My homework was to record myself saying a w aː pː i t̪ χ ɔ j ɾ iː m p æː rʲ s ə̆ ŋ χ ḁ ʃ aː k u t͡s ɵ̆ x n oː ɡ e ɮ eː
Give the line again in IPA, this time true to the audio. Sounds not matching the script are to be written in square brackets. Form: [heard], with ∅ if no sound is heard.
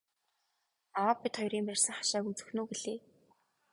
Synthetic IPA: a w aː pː i t̪ χ ɔ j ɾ iː m p [æ] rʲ s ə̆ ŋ χ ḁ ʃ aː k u t͡s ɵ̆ x n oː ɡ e ɮ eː